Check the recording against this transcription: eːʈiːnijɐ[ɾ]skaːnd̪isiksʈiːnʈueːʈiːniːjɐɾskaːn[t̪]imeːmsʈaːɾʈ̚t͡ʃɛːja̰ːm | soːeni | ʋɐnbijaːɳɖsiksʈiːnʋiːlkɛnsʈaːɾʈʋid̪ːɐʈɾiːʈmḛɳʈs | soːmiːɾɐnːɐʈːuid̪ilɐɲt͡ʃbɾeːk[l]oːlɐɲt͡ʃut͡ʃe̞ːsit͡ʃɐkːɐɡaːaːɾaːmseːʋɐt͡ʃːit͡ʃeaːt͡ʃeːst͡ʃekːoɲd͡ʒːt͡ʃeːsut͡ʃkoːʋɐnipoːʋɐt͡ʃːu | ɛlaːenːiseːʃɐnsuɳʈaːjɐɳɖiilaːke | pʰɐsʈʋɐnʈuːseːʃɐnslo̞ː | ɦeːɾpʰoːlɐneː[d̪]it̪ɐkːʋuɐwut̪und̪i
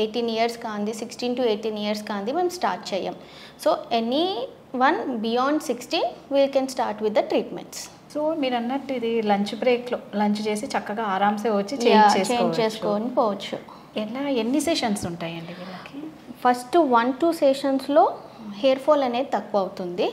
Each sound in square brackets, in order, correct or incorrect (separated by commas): correct, incorrect, correct, correct